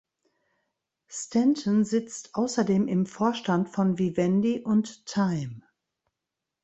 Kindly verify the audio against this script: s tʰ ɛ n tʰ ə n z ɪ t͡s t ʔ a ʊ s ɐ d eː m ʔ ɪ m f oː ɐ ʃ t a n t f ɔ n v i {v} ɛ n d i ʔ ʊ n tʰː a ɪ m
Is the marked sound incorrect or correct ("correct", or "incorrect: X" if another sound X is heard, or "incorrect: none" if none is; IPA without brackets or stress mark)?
correct